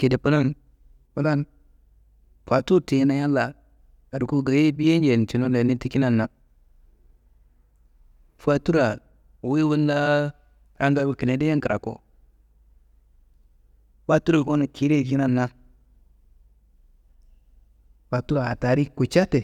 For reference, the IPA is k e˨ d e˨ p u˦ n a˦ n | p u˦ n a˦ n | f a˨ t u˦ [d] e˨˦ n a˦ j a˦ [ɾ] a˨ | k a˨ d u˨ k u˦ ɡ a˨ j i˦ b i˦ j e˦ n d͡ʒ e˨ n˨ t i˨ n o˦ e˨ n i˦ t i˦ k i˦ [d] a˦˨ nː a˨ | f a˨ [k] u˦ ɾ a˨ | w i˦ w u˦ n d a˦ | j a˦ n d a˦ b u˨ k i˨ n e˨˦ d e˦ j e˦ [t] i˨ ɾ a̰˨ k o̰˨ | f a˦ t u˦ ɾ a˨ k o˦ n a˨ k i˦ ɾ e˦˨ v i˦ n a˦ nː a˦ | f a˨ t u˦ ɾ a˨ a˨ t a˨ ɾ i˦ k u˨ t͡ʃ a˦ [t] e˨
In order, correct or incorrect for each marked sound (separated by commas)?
incorrect, incorrect, incorrect, incorrect, incorrect, correct